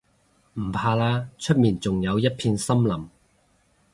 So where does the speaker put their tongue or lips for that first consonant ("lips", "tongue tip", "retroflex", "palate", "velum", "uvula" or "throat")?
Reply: lips